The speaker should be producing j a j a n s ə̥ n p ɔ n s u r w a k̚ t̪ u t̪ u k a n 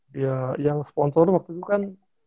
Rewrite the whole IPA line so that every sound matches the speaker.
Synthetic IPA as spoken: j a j a ŋ s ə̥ p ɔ n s ɔ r w a k̚ t̪ u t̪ u k a n